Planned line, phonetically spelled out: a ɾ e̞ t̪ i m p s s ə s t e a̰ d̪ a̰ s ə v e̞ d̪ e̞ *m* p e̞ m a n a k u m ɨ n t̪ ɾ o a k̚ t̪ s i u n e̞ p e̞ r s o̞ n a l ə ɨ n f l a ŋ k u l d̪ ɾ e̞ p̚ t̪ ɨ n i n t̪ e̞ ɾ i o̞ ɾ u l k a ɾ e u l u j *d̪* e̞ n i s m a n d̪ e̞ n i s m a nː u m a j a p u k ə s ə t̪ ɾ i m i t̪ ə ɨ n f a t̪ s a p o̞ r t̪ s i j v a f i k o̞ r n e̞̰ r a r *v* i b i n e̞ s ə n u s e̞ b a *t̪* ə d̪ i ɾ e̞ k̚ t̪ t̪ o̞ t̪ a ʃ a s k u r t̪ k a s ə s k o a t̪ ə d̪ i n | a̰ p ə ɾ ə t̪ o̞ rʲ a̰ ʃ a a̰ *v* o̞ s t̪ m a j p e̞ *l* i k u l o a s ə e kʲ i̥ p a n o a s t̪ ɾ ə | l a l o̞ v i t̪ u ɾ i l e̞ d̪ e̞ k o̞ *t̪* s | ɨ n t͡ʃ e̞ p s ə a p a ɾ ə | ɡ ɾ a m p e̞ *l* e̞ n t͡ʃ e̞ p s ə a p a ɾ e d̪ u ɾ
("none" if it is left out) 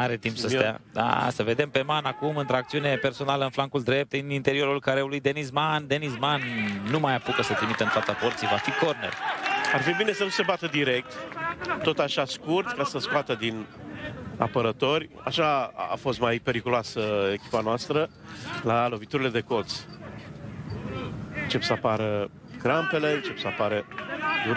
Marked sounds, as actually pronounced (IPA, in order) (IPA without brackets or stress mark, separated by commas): m, d̪, f, t̪, f, ɾ, t̪, l